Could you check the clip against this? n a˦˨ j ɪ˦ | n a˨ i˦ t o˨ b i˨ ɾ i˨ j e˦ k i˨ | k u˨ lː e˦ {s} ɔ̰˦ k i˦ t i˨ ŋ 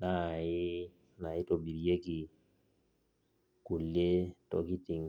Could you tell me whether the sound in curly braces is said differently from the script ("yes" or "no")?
yes